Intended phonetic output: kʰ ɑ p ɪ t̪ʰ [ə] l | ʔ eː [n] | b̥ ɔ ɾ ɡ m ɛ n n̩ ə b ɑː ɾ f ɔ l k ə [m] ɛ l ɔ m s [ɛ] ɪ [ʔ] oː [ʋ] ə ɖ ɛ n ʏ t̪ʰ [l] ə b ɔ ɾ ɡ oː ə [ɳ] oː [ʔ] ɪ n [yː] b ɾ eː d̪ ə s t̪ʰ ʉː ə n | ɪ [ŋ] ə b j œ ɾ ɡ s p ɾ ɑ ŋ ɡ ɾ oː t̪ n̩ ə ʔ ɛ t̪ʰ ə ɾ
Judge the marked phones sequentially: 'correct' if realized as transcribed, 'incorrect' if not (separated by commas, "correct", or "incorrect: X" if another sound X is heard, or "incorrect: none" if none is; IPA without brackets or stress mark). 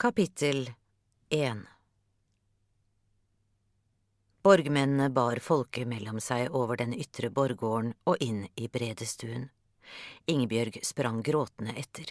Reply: correct, correct, correct, incorrect: æ, correct, correct, incorrect: ɾ, correct, correct, incorrect: iː, correct